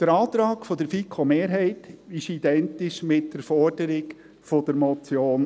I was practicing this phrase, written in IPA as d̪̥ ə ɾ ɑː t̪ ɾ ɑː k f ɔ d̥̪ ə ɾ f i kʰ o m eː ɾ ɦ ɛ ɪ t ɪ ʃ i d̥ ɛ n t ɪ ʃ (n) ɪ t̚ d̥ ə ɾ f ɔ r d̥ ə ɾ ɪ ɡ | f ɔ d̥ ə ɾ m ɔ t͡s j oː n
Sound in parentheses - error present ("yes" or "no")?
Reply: yes